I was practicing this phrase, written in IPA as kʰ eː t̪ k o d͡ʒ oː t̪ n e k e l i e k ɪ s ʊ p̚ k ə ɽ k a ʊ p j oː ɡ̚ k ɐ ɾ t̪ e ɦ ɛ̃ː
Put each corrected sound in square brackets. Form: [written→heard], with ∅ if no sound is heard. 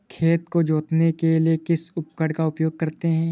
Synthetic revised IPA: kʰ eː t̪ k o d͡ʒ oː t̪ n e k e l i e k ɪ s ʊ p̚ k ə ɽ k a ʊ p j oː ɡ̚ k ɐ ɾ t̪ e ɦ ɛ̃ː